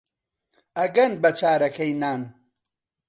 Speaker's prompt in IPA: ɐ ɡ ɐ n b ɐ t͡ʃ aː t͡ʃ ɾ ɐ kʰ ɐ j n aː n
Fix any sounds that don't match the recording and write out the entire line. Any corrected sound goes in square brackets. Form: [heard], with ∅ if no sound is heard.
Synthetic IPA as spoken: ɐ ɡ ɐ n b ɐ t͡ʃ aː [∅] ɾ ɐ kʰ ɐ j n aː n